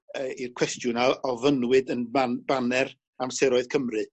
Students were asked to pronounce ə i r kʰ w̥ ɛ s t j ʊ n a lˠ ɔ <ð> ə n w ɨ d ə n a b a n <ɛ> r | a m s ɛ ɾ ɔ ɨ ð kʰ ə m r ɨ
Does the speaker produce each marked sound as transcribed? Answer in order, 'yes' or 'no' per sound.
no, yes

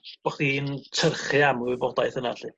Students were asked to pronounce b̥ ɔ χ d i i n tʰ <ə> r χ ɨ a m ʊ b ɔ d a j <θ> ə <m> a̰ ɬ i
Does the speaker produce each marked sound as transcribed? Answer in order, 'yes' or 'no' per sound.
yes, yes, no

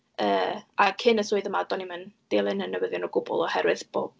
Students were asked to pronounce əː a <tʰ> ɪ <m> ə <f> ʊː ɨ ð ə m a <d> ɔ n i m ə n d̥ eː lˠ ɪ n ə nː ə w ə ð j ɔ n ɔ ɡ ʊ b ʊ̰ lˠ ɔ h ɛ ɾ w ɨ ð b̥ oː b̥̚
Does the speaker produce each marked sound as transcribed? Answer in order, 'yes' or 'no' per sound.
no, no, no, yes

